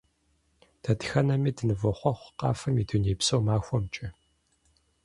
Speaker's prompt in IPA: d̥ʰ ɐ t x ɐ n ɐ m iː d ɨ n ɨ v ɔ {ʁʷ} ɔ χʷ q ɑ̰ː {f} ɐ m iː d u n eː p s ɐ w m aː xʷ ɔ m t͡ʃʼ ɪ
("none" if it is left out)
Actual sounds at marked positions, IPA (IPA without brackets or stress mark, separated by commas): χʷ, f